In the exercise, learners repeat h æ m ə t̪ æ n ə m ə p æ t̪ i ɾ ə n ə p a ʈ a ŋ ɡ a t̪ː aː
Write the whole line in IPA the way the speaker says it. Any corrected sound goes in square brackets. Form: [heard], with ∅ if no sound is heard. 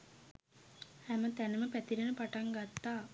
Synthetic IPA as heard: h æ m ə t̪ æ n ə m ə p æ t̪ i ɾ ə n ə p a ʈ a ŋ ɡ a t̪ː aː